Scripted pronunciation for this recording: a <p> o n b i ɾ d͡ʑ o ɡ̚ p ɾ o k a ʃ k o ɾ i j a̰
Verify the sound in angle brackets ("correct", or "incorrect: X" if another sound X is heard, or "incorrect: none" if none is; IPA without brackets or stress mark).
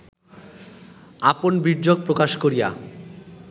correct